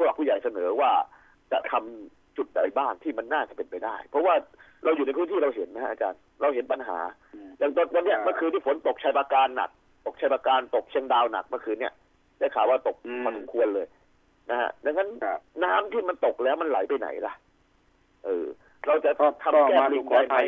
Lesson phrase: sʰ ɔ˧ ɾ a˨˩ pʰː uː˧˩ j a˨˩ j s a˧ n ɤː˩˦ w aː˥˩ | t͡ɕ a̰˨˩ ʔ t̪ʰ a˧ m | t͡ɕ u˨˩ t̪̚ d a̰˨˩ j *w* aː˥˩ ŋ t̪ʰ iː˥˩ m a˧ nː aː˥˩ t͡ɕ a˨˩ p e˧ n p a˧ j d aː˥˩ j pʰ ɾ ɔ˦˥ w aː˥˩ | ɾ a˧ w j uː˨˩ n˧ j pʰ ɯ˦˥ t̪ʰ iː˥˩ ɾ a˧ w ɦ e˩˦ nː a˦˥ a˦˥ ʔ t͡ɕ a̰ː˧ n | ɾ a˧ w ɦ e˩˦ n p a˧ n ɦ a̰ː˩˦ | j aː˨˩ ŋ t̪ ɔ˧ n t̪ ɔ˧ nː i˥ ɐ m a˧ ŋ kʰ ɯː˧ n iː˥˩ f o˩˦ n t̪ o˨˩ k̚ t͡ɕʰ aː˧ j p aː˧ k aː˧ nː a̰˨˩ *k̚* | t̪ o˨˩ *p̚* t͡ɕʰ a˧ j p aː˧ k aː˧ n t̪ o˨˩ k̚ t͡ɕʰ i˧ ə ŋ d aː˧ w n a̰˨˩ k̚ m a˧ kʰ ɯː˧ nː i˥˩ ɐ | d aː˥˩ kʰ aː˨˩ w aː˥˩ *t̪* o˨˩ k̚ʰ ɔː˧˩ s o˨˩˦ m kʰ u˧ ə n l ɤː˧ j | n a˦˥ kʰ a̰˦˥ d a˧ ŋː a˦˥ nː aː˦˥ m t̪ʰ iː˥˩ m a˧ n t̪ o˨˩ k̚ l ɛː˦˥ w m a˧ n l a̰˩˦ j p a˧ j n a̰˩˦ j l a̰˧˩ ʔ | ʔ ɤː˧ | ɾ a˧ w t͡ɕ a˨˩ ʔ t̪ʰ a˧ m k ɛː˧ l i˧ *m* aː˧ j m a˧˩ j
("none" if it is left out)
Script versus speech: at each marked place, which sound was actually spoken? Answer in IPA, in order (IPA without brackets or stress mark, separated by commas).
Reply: b, k̚, k̚, t̪, ŋ